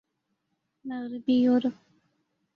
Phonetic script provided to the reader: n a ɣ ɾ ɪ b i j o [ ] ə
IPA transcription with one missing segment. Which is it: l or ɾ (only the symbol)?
ɾ